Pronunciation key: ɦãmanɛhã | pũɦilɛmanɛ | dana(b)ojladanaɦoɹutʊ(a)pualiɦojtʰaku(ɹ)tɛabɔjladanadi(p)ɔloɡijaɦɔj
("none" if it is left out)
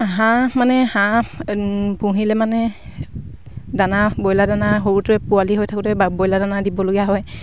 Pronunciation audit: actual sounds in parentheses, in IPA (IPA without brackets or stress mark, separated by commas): b, ɛ, none, b